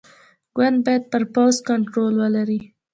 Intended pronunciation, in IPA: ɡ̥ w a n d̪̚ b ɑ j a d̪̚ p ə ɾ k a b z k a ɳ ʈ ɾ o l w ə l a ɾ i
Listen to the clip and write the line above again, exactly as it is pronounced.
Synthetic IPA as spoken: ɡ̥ w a n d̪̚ b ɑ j a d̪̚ p ə ɾ p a w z k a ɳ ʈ ɾ o l w ə l a ɾ i

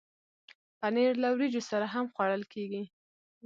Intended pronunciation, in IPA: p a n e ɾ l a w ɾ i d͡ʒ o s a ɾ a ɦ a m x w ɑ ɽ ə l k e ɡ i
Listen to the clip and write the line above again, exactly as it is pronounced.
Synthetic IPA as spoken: p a n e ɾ l a w ɾ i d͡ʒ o s a ɾ a ɦ a m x w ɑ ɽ ə l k e ɡ i

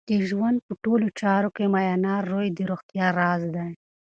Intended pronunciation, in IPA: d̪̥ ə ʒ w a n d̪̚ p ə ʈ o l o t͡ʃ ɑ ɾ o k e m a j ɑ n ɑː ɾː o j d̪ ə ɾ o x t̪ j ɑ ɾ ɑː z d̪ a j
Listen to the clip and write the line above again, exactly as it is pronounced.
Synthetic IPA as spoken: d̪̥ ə ʒ w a n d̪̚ p ə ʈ o l o t͡ʃ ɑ ɾ o k e m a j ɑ n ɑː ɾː o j d̪ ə ɾ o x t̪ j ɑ ɾ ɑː z d̪ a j

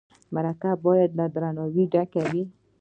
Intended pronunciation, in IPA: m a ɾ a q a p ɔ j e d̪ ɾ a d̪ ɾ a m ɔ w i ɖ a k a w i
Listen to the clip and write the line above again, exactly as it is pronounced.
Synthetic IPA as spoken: m a ɾ a k a b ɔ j a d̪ l a d̪ ɾ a n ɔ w i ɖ a k a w i

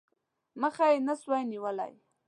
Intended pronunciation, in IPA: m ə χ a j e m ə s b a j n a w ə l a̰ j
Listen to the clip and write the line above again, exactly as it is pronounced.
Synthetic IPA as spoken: m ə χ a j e n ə s w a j n i w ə l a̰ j

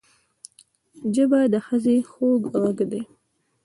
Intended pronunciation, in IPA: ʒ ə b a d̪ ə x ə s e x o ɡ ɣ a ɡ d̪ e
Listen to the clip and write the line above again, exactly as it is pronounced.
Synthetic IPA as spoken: d͡ʒ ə b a d̪ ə x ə z e x o ɡ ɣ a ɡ d̪ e

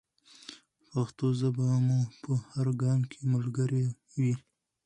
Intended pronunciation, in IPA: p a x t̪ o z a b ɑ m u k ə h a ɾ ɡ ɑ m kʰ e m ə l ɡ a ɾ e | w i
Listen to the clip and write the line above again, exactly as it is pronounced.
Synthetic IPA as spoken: p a x t̪ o z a b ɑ m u p ə h a ɾ ɡ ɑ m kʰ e m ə l ɡ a ɾ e | w i

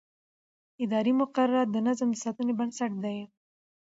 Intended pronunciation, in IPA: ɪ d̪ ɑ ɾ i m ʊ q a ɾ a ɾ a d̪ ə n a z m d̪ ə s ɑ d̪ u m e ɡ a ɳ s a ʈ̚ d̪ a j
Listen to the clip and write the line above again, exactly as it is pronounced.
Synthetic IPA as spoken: ɪ d̪ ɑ ɾ i m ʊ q a ɾ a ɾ a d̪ ə n a z m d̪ ə s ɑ t̪ u n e b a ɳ s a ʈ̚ d̪ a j

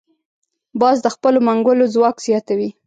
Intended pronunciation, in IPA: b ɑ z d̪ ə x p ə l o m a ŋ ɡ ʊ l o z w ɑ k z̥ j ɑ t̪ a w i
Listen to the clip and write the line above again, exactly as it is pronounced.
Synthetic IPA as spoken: b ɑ z d̪ ə x p ə l o m a ŋ ɡ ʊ l o z w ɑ k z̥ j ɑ t̪ a w i

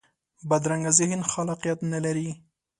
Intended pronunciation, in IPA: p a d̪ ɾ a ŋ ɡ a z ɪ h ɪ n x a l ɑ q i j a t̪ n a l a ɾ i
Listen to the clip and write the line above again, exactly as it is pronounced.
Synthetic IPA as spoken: b a d̪ ɾ a ŋ ɡ a z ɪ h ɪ n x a l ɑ q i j a t̪ n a l a ɾ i

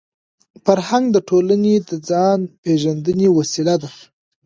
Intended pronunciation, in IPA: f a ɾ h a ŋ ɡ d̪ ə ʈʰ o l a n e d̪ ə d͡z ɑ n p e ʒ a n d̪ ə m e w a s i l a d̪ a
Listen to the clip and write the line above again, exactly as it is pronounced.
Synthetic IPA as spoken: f a ɾ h a ŋ ɡ d̪ ə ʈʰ o l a n e d̪ ə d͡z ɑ n p e ʒ a n d̪ ə n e w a s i l a d̪ a

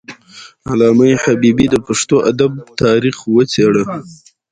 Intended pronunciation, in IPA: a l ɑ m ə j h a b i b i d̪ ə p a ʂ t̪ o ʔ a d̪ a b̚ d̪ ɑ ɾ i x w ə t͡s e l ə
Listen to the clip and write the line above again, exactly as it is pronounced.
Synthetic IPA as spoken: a l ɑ m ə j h a b i b i d̪ ə p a ʂ t̪ o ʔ a d̪ a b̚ t̪ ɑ ɾ i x w ə t͡s e ɽ ə

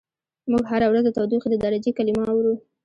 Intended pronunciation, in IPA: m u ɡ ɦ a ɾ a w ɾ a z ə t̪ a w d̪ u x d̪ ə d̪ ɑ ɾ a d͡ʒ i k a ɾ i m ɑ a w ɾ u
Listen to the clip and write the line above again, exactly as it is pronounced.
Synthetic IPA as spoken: m u ɡ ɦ a ɾ a w ɾ a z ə t̪ a w d̪ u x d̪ ə d̪ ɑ ɾ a d͡ʒ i k a l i m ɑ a w ɾ u

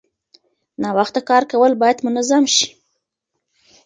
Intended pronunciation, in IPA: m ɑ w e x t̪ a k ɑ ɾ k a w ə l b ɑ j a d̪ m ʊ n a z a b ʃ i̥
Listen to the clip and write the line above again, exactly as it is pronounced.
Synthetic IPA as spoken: n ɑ w a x t̪ a k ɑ ɾ k a w ə l b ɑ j a d̪ m ʊ n a z a m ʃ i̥

